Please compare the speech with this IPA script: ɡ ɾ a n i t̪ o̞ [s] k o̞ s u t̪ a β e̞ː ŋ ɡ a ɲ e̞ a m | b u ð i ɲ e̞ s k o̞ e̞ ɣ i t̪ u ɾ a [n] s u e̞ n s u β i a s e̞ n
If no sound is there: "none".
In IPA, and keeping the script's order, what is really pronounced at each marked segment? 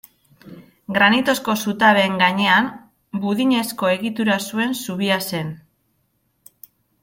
s, none

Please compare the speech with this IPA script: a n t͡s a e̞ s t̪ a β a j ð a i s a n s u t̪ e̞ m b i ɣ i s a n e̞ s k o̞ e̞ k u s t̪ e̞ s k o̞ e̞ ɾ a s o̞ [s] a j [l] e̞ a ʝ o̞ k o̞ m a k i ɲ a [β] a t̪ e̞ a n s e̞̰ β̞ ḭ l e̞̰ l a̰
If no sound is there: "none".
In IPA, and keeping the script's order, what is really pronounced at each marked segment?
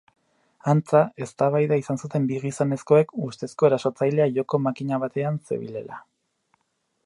t͡s, l, β

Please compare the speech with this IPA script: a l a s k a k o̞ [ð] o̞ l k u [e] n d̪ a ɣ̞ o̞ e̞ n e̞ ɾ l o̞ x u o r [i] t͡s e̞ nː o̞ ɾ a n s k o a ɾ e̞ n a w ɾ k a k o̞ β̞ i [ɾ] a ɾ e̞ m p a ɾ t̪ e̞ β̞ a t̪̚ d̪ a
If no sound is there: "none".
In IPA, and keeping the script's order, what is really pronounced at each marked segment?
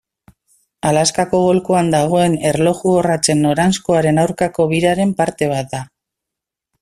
ɣ, a, a, ɾ

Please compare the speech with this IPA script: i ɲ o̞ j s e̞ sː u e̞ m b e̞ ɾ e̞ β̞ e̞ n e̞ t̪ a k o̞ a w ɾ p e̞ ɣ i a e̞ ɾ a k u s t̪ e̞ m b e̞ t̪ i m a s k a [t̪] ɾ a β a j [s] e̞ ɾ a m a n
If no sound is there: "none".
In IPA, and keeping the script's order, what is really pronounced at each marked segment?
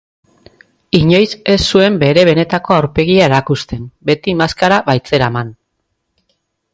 none, t͡s

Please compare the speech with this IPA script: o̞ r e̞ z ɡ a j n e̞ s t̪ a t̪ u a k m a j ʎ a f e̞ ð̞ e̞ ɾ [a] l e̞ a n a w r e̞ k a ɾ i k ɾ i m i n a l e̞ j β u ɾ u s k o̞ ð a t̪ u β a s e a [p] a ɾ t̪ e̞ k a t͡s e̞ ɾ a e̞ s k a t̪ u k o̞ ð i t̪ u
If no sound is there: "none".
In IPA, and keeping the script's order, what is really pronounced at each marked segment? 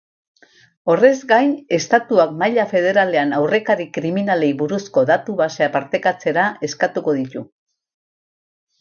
a, p

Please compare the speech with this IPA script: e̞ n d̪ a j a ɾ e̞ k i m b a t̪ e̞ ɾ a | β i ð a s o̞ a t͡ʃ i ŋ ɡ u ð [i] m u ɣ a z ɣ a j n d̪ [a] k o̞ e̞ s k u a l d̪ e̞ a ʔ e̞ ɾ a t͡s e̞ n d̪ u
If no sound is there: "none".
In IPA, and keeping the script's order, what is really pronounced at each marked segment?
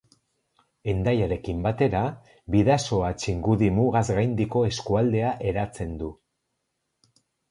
i, i

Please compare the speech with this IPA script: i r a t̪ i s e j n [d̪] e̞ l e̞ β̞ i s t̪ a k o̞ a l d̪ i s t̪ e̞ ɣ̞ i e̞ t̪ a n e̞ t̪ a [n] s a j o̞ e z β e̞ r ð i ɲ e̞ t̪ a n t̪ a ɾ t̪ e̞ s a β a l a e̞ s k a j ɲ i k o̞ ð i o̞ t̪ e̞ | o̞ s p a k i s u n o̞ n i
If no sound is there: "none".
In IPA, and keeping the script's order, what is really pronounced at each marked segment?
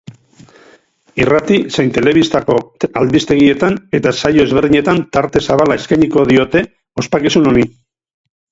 t̪, none

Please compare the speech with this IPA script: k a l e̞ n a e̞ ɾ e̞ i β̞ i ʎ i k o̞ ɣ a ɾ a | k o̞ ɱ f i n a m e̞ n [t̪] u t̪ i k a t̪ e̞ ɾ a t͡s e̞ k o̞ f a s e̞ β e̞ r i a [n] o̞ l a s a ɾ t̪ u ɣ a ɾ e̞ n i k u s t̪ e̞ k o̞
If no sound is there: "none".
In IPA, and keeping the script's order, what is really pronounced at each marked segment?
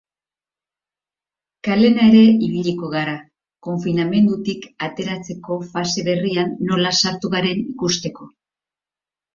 d̪, nː

